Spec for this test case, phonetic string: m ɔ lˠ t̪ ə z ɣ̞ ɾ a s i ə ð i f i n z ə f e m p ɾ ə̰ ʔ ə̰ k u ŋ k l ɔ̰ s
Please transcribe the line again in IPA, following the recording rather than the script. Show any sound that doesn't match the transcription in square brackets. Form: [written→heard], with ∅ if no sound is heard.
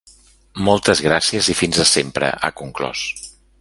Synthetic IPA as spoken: m ɔ lˠ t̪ ə z ɣ̞ ɾ a s i ə [ð→z] i f i n z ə [f→s] e m p ɾ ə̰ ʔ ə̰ k u ŋ k l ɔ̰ s

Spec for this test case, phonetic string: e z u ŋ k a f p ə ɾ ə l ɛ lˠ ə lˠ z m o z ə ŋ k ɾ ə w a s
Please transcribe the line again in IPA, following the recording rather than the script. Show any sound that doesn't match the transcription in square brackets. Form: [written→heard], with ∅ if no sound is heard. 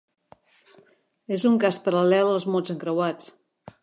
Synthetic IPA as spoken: e z u ŋ k a [f→s] p ə ɾ ə l ɛ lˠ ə lˠ z m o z ə ŋ k ɾ ə w a [s→t͡s]

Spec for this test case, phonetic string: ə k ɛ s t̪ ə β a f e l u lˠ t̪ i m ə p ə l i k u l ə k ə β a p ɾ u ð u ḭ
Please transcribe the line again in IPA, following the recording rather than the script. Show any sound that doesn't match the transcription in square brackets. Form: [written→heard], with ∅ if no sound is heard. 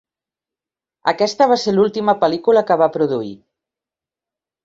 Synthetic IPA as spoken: ə k ɛ s t̪ ə β a [f→s] e l u lˠ t̪ i m ə p ə l i k u l ə k ə β a p ɾ u ð u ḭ

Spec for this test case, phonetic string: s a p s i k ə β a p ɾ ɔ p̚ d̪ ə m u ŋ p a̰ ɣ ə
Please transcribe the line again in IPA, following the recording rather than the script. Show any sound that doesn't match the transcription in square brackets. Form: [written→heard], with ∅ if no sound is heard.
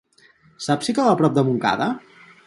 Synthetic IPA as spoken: s a p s i k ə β a p ɾ ɔ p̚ d̪ ə m u ŋ [p→k] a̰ [ɣ→ð] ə

